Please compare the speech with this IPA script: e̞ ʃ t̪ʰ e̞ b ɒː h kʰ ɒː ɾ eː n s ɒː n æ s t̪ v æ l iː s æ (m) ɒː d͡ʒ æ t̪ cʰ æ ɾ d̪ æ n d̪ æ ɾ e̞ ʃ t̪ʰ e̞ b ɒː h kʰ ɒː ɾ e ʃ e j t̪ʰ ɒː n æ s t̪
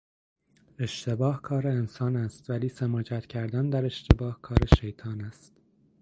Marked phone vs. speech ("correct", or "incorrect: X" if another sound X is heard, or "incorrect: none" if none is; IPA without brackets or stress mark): correct